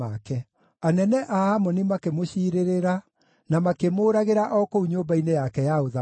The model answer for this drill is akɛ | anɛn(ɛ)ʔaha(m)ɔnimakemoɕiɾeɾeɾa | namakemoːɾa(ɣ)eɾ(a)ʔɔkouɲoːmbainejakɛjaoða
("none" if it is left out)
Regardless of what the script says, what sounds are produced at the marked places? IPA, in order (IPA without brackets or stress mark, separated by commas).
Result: ɛ, m, ɣ, a